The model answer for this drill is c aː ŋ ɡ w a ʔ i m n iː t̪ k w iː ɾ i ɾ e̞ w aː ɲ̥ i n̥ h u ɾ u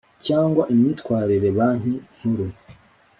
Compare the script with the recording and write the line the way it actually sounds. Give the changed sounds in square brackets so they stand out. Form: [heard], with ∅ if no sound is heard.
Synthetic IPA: c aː ŋ ɡ w a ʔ i m [ɲ] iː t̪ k w [aː] ɾ i ɾ e̞ [β] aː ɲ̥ i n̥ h u ɾ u

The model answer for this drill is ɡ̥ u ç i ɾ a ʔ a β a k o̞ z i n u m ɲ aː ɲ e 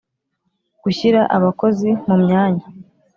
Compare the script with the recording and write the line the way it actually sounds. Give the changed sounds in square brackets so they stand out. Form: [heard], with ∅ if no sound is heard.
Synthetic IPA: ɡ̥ u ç i ɾ a ʔ a β a k o̞ z i [m] u m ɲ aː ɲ [a]

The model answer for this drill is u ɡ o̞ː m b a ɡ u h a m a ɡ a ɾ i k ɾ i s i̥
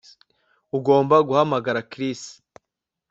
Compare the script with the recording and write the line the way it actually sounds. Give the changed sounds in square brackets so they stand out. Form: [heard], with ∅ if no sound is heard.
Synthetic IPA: u ɡ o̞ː m b a ɡ u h a m a ɡ a ɾ [a] k ɾ i s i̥

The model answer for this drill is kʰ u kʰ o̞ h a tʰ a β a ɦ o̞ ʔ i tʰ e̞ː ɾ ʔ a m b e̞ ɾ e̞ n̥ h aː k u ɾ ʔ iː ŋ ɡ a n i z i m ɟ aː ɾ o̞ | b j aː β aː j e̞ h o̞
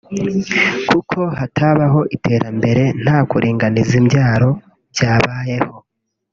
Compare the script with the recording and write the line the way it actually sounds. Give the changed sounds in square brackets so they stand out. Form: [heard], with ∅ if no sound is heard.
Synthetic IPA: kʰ u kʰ o̞ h a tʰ a β a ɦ o̞ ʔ i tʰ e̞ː ɾ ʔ a m b e̞ ɾ e̞ n̥ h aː k u ɾ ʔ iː ŋ ɡ a n i z i m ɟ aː ɾ o̞ | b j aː β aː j e̞ h o̞

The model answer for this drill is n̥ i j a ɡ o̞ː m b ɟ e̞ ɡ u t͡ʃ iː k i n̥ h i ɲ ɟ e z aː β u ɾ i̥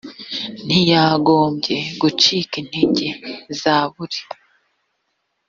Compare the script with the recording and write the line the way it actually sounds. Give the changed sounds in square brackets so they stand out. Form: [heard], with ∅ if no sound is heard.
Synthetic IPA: n̥ i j a ɡ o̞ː m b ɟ e̞ ɡ u t͡ʃ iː k i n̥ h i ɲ ɟ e z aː β u ɾ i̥

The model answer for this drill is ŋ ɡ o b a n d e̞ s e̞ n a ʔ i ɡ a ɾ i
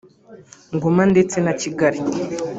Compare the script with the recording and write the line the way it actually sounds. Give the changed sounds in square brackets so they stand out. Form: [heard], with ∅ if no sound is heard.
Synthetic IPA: ŋ ɡ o [m] a n d e̞ [t͡s] e̞ n a [c] i ɡ a ɾ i

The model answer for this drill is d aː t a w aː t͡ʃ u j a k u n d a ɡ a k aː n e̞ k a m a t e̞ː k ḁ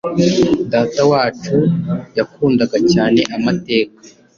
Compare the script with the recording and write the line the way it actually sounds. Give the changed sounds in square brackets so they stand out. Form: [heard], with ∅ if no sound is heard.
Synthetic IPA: d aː t a w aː t͡ʃ u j a k [uː] n d a ɡ a [c] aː n e̞ [ʔ] a m a t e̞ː k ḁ

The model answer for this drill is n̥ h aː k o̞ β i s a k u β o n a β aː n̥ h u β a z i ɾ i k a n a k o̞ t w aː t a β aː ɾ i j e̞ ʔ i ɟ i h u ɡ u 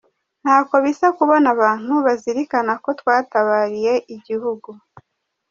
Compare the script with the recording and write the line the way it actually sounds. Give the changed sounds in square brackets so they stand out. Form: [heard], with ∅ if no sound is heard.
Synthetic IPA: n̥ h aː k o̞ β i s a k u β o n a β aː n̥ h u β a z i ɾ i k a n a k o̞ t w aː t a β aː ɾ i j e̞ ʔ i ɟ i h u ɡ u

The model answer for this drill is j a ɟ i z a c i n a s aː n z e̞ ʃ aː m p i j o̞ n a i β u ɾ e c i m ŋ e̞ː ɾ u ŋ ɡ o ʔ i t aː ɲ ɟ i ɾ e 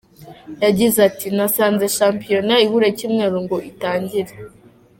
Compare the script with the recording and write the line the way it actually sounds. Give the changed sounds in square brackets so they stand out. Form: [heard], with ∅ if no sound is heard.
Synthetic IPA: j a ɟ i z a [t] i n a s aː n z e̞ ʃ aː m p i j o̞ n a i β u ɾ e c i m ŋ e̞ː ɾ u ŋ ɡ o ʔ i t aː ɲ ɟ i ɾ e

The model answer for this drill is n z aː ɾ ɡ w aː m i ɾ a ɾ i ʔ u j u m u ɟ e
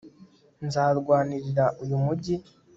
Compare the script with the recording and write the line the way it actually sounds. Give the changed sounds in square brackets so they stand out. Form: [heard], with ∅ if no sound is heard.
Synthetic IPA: n z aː ɾ ɡ w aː [n] i ɾ [i] ɾ [a] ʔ u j u m u ɟ [i]

